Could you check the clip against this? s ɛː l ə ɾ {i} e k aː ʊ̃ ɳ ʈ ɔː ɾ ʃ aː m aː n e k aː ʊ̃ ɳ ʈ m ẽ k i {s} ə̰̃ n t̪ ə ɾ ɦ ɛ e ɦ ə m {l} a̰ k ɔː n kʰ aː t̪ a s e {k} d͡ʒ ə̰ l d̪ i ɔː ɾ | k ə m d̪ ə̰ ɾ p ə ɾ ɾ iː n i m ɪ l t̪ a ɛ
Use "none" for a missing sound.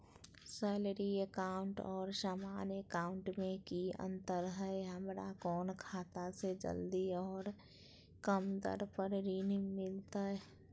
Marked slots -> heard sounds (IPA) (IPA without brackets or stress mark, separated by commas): i, none, ɾ, none